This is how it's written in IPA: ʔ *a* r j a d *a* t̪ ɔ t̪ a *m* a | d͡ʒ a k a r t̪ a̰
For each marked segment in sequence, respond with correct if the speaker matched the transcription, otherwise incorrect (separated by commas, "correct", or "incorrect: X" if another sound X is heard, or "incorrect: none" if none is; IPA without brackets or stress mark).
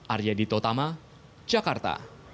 correct, incorrect: i, correct